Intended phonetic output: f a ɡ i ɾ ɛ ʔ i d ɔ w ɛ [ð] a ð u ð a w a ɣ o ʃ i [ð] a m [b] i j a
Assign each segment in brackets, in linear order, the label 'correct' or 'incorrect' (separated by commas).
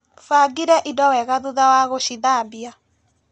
incorrect, correct, correct